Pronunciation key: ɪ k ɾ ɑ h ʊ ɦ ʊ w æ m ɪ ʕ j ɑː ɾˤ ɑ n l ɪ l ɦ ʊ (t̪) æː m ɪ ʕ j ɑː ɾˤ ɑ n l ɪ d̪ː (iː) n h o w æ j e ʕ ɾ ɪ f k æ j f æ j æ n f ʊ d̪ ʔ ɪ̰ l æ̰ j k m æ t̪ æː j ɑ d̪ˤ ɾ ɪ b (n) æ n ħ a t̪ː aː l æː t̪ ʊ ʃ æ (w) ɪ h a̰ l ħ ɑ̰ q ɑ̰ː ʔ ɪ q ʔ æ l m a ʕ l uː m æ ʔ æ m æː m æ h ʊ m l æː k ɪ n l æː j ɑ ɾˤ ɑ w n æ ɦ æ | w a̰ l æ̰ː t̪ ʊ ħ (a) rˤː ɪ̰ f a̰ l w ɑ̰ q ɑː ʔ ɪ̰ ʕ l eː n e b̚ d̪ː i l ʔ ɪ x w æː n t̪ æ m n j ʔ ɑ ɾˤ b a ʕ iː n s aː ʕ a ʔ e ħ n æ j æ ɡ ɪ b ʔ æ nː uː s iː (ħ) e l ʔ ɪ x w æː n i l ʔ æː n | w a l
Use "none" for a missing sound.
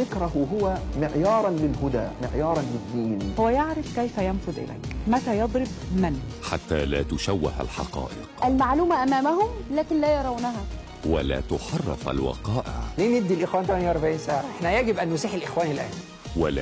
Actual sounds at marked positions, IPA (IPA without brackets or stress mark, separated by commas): d̪, iː, m, wː, ɑ, ħ